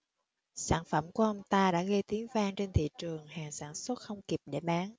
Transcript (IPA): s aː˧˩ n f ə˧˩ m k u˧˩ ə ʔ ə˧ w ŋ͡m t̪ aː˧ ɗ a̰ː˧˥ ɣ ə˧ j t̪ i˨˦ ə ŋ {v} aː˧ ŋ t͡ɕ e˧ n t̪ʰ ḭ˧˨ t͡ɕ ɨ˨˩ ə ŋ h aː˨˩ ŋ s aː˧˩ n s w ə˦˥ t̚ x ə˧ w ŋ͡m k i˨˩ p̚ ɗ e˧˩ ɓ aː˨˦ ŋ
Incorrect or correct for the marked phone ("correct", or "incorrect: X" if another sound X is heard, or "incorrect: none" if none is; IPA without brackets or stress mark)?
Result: correct